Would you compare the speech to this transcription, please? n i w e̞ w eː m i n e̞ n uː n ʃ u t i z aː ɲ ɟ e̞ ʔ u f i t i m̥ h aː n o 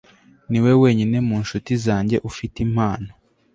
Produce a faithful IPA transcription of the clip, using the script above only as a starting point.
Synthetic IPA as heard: n i w e̞ w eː ɲ i n e̞ m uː n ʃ u t i z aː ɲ ɟ e̞ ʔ u f i t i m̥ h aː n o